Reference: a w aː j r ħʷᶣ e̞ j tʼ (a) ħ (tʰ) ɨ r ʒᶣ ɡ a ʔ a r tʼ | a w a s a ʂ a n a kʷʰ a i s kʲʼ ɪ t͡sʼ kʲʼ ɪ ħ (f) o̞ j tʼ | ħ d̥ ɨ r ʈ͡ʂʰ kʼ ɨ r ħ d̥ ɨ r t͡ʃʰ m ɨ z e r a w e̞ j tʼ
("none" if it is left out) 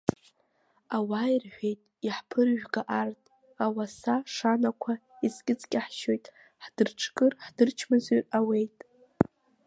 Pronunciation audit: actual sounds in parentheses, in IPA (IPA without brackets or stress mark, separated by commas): i, pʰ, ʃ